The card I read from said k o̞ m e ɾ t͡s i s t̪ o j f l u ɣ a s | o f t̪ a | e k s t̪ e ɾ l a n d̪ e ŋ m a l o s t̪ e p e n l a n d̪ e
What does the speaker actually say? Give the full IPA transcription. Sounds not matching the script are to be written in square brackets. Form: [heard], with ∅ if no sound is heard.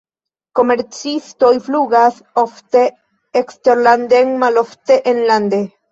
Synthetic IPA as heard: k o̞ m e ɾ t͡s i s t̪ o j f l u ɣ a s | o f t̪ [e] | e k s t̪ e ɾ l a n d̪ e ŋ m a l o [f] t̪ e [ʔ] e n l a n d̪ e